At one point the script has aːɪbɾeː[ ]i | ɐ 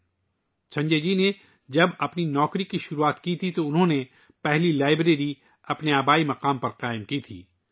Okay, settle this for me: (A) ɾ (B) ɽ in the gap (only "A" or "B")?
A